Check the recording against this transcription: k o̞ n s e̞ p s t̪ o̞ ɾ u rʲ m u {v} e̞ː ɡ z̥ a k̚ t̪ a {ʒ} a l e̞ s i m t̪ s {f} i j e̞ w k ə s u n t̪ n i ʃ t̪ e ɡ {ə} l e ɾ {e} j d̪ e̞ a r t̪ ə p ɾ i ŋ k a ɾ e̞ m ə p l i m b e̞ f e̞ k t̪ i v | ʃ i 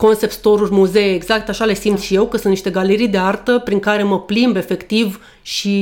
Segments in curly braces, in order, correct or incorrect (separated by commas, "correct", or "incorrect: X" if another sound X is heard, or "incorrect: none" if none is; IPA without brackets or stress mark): incorrect: z, incorrect: ʃ, incorrect: ʃ, incorrect: a, incorrect: i